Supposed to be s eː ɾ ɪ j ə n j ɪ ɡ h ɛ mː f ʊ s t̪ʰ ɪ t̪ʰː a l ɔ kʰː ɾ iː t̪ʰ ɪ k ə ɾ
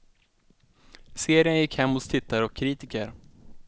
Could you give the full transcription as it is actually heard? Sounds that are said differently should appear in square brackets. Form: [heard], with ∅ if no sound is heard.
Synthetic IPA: s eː ɾ ɪ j ə n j ɪ [k] h ɛ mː [h] ʊ s t̪ʰ ɪ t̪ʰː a [ɾ] ɔ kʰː ɾ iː [t̪] ɪ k ə ɾ